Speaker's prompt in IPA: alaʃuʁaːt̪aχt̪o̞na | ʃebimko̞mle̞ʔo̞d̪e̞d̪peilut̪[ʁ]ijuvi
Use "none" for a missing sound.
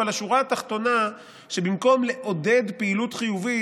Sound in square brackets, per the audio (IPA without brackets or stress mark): χ